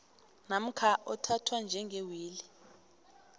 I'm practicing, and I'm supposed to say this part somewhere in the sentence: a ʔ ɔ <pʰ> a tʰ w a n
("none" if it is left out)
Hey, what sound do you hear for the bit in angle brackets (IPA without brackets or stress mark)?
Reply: tʰ